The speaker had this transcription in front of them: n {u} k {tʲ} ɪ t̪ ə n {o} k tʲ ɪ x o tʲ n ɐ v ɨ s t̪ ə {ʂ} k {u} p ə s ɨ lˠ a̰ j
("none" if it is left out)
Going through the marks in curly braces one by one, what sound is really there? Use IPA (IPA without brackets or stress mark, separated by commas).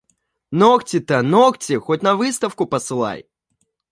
o, tʲ, o, f, ʊ